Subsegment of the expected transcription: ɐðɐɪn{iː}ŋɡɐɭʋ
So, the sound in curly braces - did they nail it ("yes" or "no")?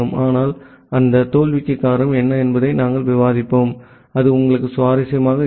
no